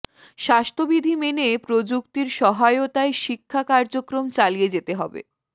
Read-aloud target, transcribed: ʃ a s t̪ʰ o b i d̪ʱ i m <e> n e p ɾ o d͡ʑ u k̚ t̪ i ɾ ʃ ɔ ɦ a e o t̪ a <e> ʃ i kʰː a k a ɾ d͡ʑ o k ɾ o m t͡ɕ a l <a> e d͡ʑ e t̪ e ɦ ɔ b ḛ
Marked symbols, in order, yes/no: yes, yes, no

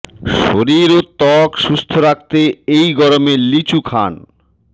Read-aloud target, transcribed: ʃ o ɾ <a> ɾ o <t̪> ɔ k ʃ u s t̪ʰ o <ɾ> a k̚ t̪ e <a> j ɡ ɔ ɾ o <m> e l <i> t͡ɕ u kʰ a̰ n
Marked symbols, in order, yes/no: no, yes, yes, no, yes, yes

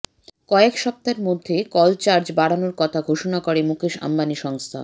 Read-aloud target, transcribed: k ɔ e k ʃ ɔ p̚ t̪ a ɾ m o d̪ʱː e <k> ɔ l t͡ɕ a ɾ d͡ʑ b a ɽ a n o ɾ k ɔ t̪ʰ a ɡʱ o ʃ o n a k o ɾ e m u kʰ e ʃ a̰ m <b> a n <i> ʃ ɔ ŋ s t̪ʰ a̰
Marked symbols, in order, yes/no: yes, yes, yes

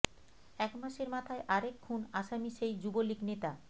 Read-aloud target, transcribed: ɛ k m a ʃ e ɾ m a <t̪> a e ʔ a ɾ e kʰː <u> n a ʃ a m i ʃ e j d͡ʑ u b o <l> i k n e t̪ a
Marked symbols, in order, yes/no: no, yes, yes

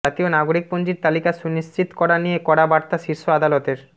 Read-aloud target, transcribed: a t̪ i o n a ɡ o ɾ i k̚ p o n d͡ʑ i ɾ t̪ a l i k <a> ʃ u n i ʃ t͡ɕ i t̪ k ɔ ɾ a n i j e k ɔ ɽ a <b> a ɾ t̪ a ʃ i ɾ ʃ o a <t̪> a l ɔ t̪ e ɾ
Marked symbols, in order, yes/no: yes, yes, no

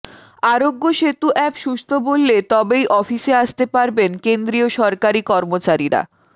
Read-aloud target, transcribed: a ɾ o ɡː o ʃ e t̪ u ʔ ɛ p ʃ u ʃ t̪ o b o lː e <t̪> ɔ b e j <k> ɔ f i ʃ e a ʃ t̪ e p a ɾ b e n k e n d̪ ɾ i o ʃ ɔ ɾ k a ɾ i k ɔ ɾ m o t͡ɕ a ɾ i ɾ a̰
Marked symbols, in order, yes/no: yes, no

